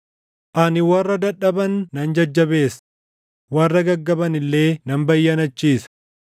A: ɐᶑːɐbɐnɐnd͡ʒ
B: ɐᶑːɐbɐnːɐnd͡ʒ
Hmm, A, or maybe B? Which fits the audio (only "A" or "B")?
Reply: B